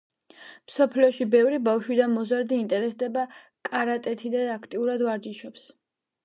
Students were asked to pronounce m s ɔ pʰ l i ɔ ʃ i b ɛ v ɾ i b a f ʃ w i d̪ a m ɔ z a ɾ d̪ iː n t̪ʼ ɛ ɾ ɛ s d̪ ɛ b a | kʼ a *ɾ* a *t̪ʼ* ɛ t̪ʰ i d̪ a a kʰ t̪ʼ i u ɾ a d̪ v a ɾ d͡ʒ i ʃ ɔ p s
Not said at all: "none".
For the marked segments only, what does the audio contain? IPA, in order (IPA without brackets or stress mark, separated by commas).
ɾ, t̪ʼ